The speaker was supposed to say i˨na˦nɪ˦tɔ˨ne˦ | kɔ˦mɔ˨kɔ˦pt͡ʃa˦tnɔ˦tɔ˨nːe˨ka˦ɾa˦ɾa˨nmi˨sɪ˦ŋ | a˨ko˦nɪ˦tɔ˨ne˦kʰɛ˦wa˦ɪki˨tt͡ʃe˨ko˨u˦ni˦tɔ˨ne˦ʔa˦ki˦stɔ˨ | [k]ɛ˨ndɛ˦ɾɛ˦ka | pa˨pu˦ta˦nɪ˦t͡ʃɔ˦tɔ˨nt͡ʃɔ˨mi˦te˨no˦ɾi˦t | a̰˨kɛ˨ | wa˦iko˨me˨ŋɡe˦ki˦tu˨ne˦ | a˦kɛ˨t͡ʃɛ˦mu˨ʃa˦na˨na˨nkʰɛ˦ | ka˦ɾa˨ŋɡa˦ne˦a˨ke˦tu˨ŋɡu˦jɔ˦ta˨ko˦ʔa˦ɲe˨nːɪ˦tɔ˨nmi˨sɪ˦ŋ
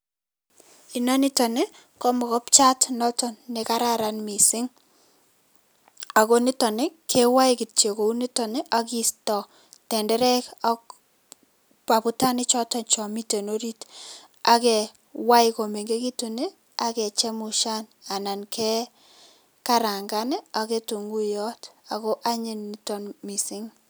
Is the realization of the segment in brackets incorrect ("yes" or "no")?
yes